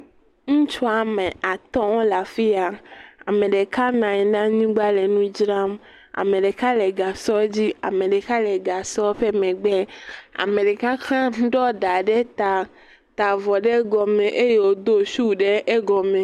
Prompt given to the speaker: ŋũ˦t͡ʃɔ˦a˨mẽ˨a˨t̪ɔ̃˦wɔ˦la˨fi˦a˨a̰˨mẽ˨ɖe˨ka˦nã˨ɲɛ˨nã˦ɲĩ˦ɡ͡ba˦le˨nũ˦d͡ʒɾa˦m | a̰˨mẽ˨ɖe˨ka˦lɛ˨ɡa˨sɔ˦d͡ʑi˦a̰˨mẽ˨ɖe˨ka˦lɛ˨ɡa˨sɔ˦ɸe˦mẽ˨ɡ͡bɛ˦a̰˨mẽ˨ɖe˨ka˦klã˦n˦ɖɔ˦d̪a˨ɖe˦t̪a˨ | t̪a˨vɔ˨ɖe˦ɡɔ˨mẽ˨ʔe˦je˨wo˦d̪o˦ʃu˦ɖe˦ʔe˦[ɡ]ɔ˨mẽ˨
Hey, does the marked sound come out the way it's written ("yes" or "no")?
yes